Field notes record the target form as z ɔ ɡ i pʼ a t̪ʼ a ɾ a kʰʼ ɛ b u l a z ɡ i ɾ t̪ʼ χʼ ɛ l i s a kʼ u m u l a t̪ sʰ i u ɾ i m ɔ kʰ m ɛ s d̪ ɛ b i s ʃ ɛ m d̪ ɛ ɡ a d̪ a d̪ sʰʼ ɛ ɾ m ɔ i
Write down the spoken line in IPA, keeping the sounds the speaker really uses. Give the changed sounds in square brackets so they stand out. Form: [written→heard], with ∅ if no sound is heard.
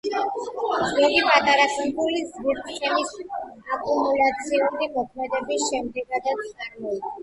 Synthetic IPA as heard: z ɔ ɡ i pʼ a t̪ʼ a ɾ a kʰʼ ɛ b u l [a→i] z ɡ i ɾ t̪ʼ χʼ ɛ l i s a kʼ u m u l a t̪ sʰ i u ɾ i m ɔ kʰ m ɛ [s→∅] d̪ ɛ b i s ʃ ɛ m d̪ ɛ ɡ a d̪ a [d̪→t̪] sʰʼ [ɛ→a] ɾ m ɔ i